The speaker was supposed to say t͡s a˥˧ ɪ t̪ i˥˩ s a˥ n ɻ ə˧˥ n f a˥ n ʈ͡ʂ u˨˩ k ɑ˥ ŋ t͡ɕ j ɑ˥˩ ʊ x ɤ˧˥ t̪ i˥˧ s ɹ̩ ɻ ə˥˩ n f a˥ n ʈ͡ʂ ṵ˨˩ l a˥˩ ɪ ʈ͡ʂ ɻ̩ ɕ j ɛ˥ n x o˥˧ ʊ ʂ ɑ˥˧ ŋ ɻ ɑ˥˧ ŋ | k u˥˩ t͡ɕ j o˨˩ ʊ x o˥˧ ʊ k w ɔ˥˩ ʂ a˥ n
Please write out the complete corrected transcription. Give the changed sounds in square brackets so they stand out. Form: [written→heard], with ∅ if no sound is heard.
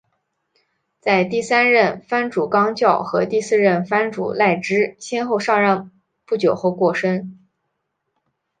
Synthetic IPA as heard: t͡s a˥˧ ɪ t̪ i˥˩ s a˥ n ɻ [ə˧˥→ə˥˩] n f a˥ n ʈ͡ʂ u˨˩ k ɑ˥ ŋ t͡ɕ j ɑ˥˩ ʊ x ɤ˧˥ t̪ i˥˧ s ɹ̩ ɻ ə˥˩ n f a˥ n ʈ͡ʂ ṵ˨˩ l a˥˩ ɪ ʈ͡ʂ ɻ̩ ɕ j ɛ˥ n x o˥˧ ʊ ʂ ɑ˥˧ ŋ ɻ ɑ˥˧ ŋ | [k→p] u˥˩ t͡ɕ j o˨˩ ʊ x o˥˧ ʊ k w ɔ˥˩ ʂ [a˥→ə˥] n